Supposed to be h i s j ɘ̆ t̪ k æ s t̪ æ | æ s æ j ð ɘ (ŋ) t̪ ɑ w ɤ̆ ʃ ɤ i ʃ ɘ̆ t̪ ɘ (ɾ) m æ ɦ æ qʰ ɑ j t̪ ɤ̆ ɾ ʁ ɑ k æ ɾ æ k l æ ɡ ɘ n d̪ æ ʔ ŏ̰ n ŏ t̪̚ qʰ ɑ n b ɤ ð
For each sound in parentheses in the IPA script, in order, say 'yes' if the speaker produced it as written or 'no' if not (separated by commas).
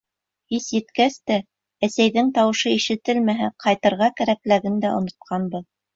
yes, no